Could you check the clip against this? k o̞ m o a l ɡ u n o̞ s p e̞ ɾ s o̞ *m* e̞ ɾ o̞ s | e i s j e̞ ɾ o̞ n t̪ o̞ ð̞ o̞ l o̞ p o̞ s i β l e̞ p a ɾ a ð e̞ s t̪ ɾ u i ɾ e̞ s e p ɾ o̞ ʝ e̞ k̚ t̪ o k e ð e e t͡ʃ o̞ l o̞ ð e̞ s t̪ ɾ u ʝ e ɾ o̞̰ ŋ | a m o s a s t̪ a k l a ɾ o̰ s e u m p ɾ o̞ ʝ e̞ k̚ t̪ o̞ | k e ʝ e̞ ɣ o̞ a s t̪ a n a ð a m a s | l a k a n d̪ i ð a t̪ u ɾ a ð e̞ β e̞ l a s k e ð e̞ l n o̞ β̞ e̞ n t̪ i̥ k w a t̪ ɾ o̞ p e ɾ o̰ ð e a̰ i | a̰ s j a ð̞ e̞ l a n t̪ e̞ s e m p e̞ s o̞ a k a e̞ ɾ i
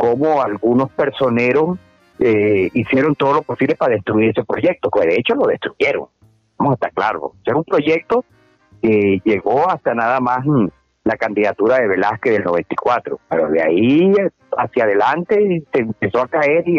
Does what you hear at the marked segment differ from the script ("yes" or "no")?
yes